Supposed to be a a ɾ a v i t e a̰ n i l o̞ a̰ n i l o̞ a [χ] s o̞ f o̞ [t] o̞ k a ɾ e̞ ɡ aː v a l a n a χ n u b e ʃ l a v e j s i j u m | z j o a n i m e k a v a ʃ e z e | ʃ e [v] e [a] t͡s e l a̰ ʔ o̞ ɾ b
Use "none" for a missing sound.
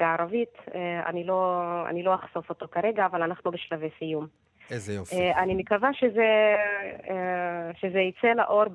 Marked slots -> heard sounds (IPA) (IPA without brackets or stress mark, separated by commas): χ, t, z, i